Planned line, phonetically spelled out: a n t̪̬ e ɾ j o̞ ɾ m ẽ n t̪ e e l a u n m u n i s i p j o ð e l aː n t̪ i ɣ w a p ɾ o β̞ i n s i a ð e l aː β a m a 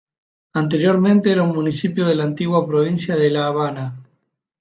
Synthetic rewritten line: a n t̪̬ e ɾ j o̞ ɾ m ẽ n t̪ e e ɾ a u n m u n i s i p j o ð e l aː n t̪ i ɣ w a p ɾ o β̞ i n s j a ð e l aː β a n a